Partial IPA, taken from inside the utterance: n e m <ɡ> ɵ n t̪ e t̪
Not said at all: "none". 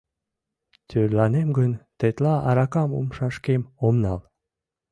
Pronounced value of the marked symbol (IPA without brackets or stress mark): ɡ